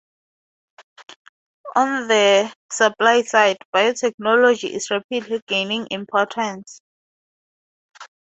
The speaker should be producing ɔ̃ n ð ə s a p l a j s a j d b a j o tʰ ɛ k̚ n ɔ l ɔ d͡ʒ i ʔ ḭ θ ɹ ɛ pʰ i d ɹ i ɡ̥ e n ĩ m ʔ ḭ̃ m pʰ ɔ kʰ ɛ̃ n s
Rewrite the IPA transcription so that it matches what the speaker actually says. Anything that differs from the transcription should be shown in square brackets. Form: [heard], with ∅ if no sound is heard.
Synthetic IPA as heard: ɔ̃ n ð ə s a p l a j s a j d b a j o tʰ ɛ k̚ n ɔ l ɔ d͡ʒ i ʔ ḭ [s] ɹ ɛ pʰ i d [l] i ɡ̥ e n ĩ [ŋ] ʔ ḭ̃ m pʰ ɔ [tʰ] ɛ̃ n s